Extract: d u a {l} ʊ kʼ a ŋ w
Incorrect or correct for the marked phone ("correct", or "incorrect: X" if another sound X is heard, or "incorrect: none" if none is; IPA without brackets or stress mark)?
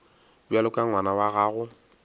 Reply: correct